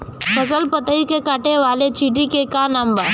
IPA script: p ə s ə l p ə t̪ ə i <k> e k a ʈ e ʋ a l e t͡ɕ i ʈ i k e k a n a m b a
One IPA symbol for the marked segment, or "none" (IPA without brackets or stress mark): k